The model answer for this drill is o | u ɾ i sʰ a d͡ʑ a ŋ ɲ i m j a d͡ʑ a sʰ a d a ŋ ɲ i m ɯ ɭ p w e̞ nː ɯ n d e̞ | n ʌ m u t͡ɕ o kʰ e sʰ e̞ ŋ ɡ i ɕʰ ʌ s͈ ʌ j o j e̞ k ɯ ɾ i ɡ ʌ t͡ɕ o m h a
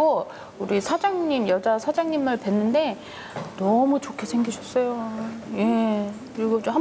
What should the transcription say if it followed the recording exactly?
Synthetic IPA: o | u ɾ i sʰ a d͡ʑ a ŋ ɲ i m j ʌ d͡ʑ a sʰ a d͡ʑ a ŋ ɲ i m ɯ ɭ p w e̞ nː ɯ n d e̞ | n ʌ m u t͡ɕ o kʰ e sʰ e̞ ŋ ɡ i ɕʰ ʌ s͈ ʌ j o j e̞ k ɯ ɾ i ɡ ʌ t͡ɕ o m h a